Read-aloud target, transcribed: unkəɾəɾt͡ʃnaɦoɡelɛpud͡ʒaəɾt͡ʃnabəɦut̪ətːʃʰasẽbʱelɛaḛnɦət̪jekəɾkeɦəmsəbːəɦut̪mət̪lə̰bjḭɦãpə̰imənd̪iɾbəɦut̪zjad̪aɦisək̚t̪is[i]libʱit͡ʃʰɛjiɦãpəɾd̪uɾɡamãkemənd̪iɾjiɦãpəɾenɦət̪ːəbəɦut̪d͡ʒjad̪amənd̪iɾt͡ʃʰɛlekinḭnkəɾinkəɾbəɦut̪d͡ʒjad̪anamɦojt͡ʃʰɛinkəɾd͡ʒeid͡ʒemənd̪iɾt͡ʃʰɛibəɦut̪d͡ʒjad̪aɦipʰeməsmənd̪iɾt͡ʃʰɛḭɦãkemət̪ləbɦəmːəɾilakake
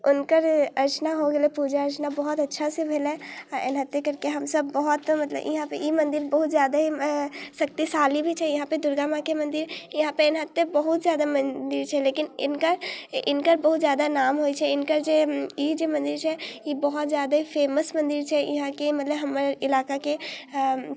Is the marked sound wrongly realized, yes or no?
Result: yes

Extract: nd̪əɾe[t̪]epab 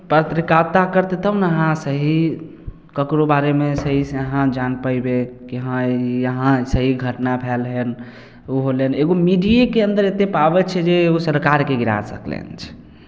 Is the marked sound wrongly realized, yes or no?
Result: no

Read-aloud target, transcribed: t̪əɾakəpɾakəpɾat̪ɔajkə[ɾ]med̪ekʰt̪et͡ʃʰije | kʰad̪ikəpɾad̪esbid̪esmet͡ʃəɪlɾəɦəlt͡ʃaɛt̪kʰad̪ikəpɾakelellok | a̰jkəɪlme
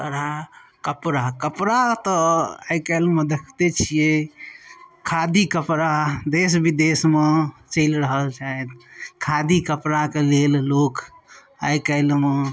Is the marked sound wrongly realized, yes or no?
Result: yes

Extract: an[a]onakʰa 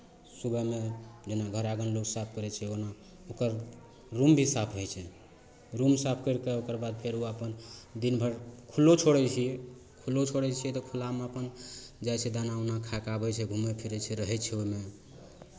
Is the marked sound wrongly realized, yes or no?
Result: no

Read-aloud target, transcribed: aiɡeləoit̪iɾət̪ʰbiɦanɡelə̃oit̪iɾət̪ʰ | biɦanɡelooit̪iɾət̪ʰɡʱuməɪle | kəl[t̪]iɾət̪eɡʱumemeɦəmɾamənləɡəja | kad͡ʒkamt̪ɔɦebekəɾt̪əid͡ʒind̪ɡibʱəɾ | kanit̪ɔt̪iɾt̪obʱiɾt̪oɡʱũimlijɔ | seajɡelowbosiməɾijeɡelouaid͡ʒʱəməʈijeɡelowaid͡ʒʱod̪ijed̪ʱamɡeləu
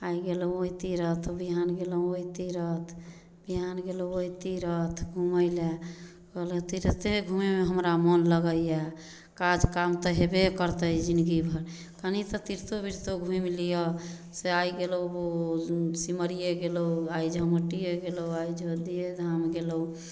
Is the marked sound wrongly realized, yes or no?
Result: no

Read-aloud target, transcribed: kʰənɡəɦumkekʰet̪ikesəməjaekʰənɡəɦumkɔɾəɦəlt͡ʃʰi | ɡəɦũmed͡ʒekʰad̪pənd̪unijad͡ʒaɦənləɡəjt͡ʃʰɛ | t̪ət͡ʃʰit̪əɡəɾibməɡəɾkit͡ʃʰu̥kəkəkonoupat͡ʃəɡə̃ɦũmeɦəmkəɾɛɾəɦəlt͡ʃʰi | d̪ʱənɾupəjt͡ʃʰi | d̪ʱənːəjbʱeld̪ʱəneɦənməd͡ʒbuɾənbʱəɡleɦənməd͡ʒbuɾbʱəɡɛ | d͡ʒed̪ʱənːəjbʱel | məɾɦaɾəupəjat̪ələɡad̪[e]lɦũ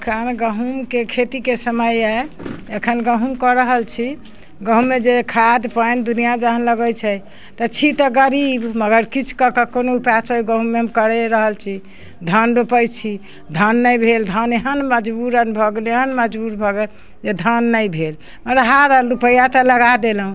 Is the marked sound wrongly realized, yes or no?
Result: no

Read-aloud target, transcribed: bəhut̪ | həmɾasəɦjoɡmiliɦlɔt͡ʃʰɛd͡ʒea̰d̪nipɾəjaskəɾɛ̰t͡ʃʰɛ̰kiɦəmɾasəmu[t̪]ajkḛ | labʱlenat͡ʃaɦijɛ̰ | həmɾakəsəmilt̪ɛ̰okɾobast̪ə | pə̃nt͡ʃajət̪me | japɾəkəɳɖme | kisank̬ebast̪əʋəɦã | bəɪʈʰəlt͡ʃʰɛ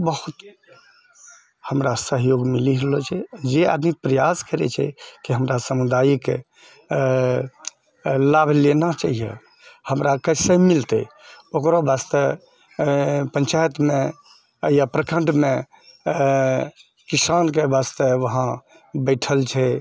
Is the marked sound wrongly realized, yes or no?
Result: yes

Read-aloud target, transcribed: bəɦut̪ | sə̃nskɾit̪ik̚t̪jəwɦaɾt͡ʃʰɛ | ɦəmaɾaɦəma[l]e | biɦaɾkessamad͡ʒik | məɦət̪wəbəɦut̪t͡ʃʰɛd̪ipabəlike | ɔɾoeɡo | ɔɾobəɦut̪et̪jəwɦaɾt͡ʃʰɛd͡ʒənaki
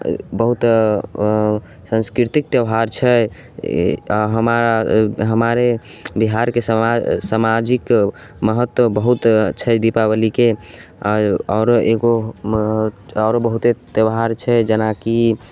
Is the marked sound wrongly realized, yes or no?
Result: yes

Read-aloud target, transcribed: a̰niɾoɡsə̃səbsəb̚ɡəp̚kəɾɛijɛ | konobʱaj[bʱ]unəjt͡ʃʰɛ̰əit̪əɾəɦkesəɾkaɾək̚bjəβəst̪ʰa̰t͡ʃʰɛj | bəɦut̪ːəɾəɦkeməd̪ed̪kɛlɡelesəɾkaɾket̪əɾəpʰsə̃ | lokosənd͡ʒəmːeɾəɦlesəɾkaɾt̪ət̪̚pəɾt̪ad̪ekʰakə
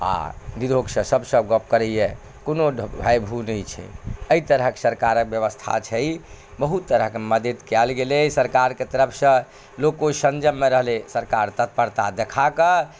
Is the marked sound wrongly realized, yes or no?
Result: no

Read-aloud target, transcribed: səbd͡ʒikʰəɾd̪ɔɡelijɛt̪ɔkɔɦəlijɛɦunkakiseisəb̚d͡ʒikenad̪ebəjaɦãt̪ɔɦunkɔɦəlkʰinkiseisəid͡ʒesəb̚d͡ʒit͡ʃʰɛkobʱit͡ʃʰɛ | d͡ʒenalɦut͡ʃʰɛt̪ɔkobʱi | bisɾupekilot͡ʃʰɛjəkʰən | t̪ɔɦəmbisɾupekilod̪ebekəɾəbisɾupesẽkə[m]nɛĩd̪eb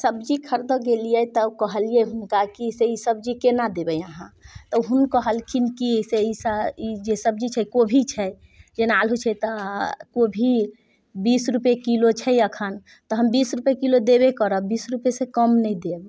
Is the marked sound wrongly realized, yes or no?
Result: no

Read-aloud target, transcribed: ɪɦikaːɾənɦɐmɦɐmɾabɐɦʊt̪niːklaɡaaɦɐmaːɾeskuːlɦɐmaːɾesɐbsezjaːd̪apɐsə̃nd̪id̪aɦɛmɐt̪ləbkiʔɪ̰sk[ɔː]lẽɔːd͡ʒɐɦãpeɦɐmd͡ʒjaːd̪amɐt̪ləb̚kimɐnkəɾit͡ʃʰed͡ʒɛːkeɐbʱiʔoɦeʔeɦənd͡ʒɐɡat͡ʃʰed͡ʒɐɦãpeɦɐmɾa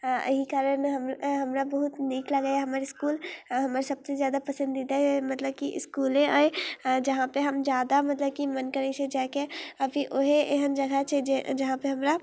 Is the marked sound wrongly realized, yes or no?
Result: yes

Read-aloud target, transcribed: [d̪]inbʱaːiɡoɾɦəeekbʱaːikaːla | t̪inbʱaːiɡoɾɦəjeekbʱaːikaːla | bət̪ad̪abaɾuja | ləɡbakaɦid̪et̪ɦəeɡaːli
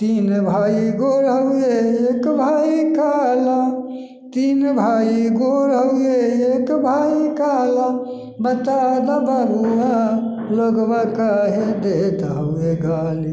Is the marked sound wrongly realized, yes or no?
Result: yes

